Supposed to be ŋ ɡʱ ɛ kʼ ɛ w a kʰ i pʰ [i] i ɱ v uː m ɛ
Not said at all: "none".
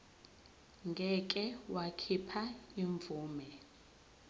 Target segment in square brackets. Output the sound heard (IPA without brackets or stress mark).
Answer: a